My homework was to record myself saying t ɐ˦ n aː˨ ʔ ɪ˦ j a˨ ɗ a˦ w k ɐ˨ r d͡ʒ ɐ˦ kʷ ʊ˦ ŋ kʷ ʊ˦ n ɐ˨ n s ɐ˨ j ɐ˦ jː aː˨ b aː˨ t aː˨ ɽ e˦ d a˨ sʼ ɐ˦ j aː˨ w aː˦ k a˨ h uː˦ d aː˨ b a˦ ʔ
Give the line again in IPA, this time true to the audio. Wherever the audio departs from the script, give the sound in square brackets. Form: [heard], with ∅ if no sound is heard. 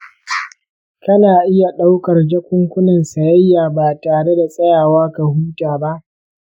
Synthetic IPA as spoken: [k] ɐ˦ n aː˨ ʔ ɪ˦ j a˨ ɗ a˦ w k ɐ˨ r d͡ʒ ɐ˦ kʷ ʊ˦ ŋ kʷ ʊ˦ n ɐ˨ n s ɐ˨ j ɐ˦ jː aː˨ b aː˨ t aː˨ ɽ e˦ d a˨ sʼ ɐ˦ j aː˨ w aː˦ k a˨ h uː˦ [t] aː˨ b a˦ ʔ